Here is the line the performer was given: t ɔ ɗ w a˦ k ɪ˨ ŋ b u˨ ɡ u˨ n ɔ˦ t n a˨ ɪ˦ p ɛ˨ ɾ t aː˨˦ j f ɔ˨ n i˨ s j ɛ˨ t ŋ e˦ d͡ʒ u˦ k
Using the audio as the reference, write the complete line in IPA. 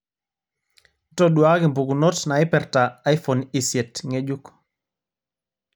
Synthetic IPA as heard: t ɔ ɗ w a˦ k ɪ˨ m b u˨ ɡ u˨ n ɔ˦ t n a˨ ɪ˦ p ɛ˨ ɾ t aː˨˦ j f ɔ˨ n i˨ s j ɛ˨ t ŋ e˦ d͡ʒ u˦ k